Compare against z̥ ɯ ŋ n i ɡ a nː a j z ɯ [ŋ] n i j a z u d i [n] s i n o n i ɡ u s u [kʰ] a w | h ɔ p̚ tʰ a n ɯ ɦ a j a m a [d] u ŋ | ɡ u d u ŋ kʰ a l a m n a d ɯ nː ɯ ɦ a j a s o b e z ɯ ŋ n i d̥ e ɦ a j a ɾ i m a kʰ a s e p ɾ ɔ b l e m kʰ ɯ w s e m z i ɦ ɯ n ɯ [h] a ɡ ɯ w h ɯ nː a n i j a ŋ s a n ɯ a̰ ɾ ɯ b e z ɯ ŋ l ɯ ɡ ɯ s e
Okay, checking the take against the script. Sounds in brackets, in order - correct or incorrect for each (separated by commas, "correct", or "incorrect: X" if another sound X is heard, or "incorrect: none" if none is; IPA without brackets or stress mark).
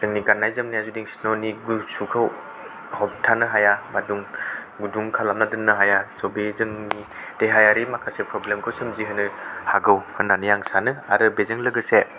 incorrect: m, incorrect: ŋ, correct, correct, correct